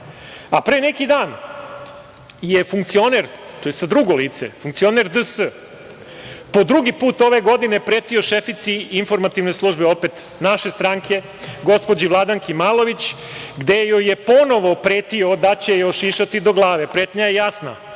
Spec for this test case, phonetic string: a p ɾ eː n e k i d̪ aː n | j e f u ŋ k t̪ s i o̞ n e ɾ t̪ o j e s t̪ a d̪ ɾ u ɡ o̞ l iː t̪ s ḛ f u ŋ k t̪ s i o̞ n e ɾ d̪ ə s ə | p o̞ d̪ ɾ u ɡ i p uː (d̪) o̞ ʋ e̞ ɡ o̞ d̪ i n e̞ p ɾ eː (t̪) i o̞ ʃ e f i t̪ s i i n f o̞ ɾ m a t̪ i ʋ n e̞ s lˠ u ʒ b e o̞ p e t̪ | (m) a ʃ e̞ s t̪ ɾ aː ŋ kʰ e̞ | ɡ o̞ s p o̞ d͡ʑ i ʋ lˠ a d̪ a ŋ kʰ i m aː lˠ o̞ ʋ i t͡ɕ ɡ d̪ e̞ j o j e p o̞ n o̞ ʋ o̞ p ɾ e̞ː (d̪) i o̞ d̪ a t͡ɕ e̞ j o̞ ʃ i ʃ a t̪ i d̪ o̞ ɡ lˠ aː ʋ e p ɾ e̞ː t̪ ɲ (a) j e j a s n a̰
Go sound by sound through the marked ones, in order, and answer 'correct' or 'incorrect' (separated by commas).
incorrect, correct, incorrect, incorrect, correct